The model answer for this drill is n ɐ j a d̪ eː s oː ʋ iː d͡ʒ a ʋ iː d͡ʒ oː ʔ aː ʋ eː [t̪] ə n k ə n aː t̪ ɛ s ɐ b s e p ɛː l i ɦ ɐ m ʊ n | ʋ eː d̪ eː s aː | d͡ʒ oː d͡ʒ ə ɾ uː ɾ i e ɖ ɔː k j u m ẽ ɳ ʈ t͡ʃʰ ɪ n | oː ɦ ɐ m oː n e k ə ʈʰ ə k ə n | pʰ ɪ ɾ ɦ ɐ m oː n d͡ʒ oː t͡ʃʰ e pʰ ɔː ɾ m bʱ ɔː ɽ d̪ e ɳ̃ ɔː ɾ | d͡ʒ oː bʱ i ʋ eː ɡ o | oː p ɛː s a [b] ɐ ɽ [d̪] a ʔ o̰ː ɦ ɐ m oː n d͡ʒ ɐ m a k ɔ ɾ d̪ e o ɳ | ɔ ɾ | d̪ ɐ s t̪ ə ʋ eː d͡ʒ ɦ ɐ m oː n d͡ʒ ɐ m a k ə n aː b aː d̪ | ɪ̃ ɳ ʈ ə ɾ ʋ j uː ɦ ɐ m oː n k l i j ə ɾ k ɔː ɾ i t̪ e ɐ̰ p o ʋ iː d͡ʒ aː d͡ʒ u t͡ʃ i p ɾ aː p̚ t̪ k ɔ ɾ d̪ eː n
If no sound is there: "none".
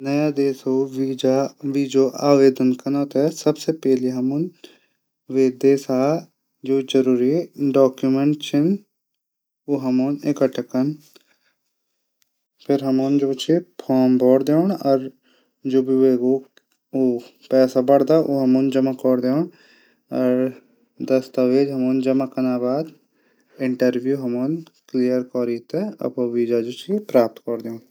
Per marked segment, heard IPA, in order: d̪, b, d̪

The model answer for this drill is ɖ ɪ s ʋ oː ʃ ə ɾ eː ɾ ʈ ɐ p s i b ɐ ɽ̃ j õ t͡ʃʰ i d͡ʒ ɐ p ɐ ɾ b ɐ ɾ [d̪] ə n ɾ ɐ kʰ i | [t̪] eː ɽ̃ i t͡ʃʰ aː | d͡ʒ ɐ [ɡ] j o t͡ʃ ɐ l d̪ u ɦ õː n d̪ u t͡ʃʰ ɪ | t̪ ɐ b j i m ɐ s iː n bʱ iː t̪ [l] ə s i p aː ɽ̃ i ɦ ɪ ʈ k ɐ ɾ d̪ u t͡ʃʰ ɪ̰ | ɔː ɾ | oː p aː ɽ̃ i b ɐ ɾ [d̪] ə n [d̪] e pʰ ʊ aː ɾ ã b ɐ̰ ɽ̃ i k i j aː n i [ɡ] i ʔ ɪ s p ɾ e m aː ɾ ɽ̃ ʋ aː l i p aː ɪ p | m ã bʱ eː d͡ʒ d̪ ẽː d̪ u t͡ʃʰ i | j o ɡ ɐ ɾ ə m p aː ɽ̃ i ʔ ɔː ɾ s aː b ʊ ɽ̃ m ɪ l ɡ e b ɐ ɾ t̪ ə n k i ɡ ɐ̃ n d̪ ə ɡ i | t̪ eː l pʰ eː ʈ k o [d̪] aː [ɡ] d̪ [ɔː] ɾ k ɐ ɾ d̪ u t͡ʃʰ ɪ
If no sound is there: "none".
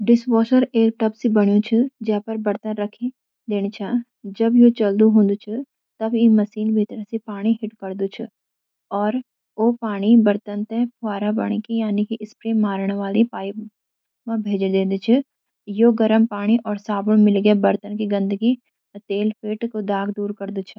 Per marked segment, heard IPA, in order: t̪, d̪, b, ɾ, t̪, t̪, k, d̪, ɡ, uː

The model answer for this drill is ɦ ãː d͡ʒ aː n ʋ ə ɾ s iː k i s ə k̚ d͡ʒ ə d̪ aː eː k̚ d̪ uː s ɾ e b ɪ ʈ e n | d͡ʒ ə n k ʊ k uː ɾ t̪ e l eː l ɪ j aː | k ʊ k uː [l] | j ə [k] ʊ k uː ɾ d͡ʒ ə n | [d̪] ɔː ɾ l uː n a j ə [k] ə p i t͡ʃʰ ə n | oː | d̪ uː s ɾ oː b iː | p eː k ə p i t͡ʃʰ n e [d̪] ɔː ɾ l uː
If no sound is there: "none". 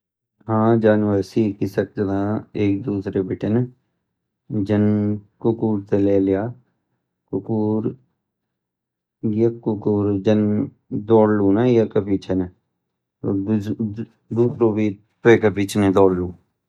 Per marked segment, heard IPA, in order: ɾ, k, d̪, k, d̪

